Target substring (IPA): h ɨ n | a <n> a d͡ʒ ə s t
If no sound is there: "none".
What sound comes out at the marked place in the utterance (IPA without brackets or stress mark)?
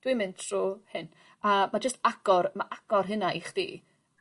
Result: m